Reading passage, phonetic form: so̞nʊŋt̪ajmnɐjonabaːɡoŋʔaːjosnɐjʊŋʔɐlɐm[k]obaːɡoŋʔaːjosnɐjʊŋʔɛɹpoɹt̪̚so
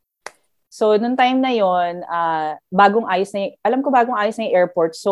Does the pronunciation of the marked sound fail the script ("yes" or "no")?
no